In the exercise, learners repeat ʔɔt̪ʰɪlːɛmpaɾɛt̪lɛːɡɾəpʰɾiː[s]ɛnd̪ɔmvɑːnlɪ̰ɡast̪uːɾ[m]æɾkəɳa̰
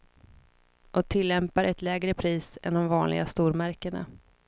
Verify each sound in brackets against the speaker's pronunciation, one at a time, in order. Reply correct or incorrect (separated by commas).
correct, correct